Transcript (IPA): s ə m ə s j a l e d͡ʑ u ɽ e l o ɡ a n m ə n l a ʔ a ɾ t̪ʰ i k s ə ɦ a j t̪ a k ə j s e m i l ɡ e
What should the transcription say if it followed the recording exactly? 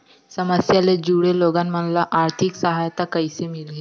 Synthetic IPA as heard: s ə m ə s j a l e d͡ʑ u ɽ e l o ɡ a n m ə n l a ʔ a ɾ t̪ʰ i k s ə ɦ a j t̪ a k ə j s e m i l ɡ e